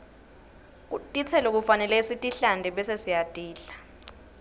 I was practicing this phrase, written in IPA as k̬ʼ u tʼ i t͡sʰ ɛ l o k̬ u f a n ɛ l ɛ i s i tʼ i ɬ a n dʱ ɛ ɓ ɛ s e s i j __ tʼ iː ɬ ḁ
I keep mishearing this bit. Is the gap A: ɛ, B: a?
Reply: B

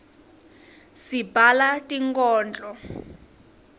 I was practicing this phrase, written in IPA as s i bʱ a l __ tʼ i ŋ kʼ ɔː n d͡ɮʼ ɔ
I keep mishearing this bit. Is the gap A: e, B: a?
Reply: B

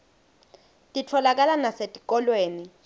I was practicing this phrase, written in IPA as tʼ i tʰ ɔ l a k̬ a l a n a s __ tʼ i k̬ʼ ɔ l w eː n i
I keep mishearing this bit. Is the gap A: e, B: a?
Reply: A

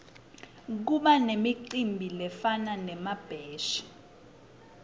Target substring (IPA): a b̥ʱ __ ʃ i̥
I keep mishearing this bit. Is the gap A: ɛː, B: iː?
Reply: A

